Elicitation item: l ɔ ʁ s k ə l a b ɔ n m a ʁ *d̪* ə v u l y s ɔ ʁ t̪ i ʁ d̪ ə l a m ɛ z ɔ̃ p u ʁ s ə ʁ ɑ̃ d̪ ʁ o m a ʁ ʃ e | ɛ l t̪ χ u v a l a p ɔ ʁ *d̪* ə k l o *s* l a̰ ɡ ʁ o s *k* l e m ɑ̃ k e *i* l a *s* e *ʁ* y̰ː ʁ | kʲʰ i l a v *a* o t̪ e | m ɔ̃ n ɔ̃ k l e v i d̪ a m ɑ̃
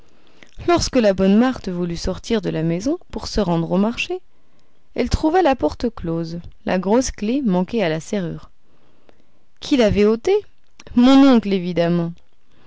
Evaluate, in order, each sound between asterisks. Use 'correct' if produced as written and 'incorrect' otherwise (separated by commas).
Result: incorrect, incorrect, incorrect, correct, incorrect, correct, correct, incorrect